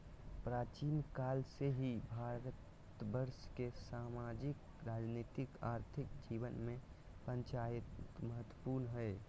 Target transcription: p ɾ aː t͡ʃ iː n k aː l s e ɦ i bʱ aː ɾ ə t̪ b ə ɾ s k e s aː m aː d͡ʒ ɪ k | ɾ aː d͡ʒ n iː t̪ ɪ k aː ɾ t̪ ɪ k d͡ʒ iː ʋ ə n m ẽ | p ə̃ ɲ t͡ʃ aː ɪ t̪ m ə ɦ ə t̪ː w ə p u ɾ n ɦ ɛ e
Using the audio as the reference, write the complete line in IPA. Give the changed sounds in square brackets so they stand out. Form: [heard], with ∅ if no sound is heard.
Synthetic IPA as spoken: p ɾ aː t͡ʃ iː n k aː l s e ɦ i bʱ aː ɾ ə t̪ b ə ɾ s k e s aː m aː d͡ʒ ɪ k | ɾ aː d͡ʒ n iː t̪ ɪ k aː ɾ [t̪ʰ] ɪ k d͡ʒ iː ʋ ə n m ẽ | p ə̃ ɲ t͡ʃ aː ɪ t̪ m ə ɦ ə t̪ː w ə p u ɾ n ɦ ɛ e